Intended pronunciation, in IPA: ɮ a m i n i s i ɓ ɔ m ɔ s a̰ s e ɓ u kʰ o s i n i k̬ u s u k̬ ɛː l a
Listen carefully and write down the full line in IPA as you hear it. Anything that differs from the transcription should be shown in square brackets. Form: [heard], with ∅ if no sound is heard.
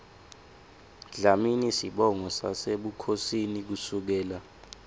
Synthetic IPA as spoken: ɮ a m i n i s i ɓ ɔ [ŋ] ɔ s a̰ s e ɓ u kʰ o s i n i k̬ u s u k̬ ɛː l a